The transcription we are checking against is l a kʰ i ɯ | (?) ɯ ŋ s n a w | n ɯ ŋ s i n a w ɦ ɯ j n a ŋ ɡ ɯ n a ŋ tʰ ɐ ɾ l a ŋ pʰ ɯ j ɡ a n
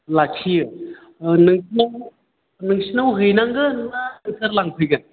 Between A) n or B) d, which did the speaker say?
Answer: A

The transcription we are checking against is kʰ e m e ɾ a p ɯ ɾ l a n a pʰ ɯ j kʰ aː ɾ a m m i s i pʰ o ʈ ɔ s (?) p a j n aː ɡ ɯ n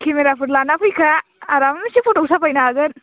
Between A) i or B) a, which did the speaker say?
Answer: B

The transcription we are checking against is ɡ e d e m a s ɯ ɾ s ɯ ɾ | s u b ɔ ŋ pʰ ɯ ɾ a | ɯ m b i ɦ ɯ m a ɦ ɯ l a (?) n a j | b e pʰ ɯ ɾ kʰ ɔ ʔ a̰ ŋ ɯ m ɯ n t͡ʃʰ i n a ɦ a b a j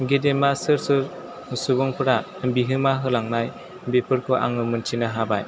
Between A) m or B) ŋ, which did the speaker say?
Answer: B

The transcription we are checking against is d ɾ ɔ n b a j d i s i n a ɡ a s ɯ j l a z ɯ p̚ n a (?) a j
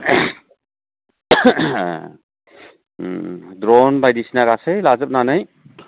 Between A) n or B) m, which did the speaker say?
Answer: A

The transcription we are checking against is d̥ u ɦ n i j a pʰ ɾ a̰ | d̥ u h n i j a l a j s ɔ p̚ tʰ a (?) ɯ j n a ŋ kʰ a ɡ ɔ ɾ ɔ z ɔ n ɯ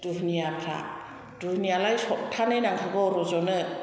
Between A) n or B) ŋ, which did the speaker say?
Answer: A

